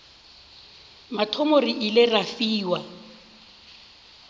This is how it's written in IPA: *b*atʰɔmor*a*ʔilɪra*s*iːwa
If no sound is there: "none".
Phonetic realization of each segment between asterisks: m, i, f

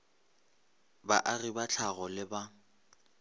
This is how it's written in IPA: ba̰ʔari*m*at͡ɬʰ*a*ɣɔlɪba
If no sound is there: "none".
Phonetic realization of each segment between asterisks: b, a

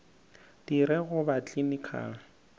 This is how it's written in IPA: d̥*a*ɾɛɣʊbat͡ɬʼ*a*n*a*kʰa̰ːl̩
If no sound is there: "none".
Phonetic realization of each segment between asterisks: i, i, i

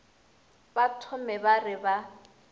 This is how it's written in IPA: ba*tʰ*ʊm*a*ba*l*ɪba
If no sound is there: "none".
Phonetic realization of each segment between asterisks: tʰ, ɛ, r

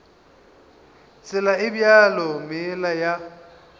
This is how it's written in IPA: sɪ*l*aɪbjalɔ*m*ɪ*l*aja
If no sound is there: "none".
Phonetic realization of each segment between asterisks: l, m, l

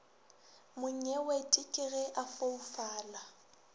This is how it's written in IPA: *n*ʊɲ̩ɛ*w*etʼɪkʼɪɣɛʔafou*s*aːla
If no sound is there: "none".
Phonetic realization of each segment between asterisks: m, w, f

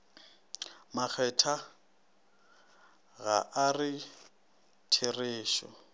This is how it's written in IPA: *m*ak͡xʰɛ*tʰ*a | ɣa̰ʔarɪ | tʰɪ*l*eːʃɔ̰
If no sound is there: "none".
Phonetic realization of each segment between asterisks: m, tʰ, r

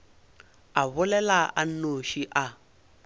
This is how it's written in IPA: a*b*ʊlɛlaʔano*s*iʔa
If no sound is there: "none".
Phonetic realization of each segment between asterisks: β, ʃ

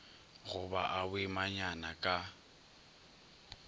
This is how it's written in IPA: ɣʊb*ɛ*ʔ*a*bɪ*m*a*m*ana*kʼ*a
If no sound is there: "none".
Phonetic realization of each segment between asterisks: a, a, m, ɲ, kʼ

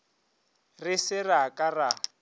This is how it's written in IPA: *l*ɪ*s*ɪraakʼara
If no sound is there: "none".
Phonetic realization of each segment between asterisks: r, s

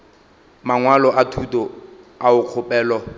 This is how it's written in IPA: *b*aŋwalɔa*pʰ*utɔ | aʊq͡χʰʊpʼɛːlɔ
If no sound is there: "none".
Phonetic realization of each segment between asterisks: m, tʰ

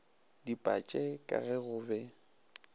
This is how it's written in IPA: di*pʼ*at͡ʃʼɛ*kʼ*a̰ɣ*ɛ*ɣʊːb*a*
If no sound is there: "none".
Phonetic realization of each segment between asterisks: pʼ, kʼ, ɛ, ɛ

